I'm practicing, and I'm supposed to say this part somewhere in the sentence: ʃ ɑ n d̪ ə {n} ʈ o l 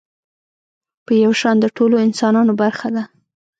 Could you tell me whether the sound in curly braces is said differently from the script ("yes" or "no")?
yes